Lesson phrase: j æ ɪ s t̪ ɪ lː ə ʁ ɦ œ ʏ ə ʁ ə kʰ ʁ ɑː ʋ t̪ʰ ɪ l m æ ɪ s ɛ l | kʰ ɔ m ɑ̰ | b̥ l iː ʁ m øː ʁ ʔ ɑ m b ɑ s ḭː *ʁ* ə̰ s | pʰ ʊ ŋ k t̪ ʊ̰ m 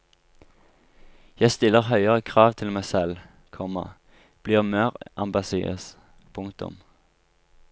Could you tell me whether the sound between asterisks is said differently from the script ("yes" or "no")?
yes